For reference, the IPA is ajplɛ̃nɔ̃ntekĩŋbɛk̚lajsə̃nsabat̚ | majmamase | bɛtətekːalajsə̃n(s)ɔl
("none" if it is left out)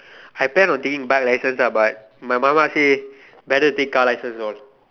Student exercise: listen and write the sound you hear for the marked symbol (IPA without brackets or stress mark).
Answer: s